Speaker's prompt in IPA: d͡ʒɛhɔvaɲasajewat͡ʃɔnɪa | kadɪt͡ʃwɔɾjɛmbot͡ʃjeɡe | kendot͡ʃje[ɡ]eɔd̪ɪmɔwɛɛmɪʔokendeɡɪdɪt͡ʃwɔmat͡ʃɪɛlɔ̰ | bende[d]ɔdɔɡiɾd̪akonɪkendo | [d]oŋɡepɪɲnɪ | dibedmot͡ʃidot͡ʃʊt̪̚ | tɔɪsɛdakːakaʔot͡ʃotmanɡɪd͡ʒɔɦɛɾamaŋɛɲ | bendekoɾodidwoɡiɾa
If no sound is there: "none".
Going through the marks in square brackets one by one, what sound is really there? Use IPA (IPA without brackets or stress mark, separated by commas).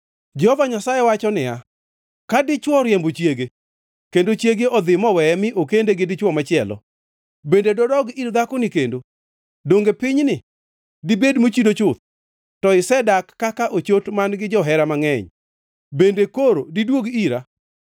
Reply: ɡ, d, d